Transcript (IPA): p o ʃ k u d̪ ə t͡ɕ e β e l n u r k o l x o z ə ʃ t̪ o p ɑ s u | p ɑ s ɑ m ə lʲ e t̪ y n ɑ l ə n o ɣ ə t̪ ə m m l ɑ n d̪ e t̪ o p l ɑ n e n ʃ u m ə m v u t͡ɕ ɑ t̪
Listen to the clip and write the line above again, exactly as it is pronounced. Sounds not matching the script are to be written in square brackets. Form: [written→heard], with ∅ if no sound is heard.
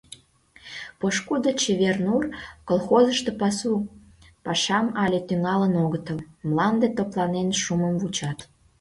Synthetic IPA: p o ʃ k u d̪ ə t͡ɕ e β e [l→r] n u r k o l x o z ə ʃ t̪ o p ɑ s u | p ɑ [s→ʃ] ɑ m [ə→ɑ] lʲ e t̪ y [n→ŋ] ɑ l ə n o ɣ ə t̪ ə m m l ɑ n d̪ e t̪ o p l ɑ n e n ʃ u m ə m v u t͡ɕ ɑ t̪